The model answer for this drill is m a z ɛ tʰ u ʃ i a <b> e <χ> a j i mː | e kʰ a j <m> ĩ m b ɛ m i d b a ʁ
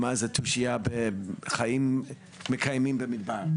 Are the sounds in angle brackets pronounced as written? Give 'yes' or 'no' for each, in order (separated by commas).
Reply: yes, yes, yes